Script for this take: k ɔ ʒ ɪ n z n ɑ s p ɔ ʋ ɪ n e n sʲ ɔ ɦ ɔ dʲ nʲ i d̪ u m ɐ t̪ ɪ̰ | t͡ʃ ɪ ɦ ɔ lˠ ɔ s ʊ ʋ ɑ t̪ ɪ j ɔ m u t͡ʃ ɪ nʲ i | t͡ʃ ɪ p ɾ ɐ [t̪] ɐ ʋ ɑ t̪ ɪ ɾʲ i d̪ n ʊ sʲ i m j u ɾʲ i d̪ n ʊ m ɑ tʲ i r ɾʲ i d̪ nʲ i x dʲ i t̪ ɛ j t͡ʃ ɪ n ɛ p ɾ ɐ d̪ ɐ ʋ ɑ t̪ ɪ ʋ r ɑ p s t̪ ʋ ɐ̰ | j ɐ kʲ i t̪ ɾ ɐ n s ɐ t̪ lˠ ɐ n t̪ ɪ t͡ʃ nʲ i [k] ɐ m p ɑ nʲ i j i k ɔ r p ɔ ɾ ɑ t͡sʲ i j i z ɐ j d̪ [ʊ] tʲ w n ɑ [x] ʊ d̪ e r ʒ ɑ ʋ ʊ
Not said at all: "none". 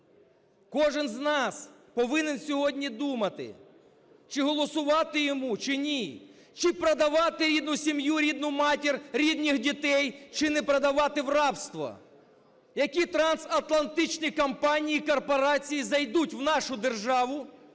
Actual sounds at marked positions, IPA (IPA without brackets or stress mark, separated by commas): d̪, k, u, ʃ